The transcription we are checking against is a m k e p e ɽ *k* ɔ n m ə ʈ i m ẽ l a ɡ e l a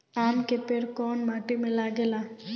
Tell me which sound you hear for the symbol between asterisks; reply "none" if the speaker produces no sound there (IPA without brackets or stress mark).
k